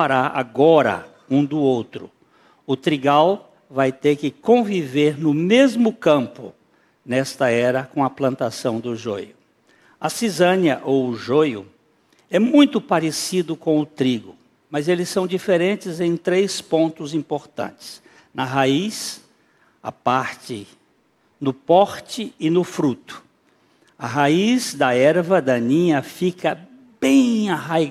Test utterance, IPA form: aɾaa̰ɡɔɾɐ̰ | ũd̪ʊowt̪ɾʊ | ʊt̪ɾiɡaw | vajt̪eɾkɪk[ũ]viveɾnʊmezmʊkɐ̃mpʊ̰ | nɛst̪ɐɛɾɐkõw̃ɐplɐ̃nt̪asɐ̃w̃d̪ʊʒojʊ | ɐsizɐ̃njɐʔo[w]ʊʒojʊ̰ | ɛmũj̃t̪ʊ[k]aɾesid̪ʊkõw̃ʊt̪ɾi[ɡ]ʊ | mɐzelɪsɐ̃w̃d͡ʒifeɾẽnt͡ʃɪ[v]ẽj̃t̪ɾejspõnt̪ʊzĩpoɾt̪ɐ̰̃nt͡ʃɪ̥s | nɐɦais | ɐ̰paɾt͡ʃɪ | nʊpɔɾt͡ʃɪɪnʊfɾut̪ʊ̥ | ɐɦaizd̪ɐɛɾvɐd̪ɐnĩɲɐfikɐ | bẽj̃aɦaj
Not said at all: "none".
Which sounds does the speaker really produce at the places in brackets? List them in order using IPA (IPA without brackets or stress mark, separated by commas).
õ, w, p, ɡ, z